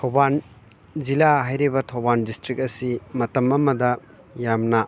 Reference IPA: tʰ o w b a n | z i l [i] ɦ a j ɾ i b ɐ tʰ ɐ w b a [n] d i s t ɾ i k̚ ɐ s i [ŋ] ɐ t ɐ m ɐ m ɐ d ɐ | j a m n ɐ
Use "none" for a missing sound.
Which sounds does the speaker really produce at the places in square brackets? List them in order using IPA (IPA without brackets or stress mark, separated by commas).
a, n, m